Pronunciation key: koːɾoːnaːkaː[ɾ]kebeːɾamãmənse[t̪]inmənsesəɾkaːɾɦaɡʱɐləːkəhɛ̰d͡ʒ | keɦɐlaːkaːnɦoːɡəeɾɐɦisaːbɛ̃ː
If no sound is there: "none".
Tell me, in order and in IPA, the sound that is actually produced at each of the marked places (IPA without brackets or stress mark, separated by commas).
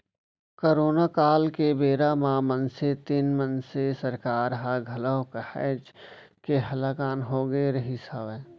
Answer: l, t̪